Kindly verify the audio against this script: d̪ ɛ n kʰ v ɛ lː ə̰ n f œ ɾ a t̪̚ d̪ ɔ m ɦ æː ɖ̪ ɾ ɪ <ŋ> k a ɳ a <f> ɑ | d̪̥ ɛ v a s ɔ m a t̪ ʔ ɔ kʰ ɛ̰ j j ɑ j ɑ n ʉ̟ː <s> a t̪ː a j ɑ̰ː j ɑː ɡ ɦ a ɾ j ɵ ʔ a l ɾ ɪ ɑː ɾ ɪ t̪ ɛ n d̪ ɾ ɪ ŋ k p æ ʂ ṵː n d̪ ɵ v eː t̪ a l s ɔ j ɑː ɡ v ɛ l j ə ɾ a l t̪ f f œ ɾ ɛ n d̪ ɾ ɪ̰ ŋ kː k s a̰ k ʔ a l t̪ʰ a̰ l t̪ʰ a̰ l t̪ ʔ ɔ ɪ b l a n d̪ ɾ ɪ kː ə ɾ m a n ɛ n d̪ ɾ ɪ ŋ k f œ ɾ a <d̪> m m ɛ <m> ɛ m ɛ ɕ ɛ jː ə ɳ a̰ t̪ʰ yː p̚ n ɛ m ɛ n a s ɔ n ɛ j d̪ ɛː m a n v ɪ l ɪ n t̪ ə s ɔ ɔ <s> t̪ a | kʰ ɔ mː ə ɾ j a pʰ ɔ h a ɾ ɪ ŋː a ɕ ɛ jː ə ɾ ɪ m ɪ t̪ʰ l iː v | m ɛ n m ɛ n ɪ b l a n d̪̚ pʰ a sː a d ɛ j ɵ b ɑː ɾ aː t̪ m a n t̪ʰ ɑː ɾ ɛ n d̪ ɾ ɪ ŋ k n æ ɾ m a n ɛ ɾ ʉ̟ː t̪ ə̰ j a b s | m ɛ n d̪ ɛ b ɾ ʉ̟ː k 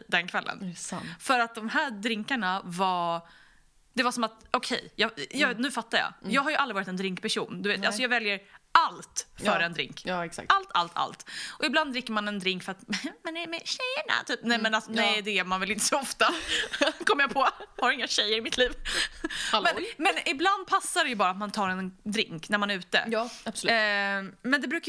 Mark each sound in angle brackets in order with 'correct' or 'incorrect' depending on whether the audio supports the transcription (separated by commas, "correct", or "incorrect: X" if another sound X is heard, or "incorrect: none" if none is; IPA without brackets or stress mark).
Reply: correct, incorrect: v, incorrect: f, incorrect: t̪, incorrect: n, incorrect: f